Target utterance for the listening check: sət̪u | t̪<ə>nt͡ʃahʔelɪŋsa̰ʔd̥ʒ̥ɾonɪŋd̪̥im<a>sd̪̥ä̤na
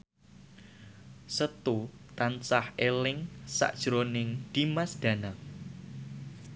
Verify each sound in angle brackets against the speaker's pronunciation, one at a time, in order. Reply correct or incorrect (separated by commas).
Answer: incorrect, correct